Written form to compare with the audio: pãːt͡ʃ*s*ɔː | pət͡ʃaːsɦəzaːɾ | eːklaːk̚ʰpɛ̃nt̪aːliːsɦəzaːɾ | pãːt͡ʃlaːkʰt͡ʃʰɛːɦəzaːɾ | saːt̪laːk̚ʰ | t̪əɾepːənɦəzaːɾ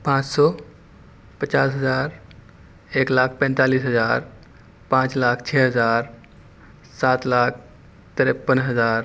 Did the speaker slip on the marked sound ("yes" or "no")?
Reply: no